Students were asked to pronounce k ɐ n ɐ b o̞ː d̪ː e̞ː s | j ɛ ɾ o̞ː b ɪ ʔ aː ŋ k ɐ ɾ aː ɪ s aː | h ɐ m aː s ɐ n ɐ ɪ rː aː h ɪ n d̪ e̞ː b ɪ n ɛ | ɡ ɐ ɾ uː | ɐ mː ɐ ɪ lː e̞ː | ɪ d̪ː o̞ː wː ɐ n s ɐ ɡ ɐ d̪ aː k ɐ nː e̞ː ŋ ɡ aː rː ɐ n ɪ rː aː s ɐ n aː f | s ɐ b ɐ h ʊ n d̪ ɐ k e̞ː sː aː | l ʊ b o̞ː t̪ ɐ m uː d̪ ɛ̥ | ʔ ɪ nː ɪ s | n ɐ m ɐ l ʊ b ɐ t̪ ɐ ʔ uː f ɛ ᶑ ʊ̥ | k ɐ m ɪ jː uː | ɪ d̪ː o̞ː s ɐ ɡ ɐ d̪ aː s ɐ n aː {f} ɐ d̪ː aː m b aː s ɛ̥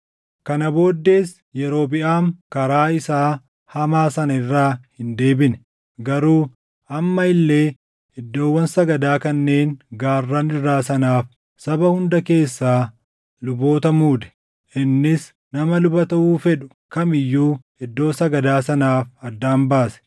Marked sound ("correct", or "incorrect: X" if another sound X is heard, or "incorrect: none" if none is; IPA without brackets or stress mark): correct